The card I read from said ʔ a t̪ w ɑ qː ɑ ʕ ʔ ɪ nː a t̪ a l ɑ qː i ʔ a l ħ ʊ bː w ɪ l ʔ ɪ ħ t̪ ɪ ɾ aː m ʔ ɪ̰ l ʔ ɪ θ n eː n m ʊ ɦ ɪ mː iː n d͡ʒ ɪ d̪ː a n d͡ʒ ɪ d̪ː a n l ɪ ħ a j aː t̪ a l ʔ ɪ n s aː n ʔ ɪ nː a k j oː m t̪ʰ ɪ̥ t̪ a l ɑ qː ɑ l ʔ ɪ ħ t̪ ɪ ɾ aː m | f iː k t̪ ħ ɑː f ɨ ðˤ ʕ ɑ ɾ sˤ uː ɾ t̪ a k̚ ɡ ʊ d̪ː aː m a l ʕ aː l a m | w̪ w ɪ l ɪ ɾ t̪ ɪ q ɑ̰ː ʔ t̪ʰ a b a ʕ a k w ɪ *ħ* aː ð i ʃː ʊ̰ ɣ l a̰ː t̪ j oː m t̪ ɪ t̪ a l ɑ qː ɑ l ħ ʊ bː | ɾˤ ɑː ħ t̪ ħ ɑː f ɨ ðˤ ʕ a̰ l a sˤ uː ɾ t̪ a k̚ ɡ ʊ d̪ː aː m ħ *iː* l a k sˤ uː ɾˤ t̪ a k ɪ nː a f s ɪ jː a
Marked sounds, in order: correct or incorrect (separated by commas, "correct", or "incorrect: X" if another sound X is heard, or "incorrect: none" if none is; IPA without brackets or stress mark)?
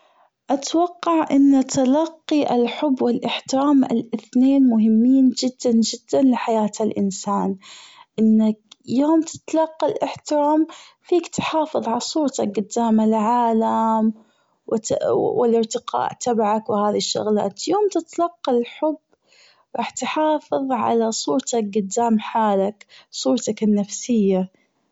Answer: incorrect: h, incorrect: aː